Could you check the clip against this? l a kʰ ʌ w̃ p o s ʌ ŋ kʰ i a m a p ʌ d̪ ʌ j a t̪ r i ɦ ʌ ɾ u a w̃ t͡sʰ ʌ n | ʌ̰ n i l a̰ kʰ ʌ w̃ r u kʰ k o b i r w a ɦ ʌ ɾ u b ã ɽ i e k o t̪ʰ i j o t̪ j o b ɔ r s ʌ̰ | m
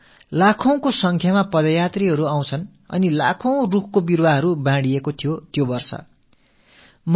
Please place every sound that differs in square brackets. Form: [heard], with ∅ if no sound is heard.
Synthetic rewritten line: l a kʰ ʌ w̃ [k] o s ʌ ŋ kʰ [j] a m a p ʌ d̪ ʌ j a t̪ r i ɦ ʌ ɾ u a w̃ t͡sʰ ʌ n | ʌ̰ n i l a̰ kʰ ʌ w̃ r u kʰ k o b i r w a ɦ ʌ ɾ u b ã ɽ i e k o t̪ʰ i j o t̪ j o b [ʌ] r s ʌ̰ | m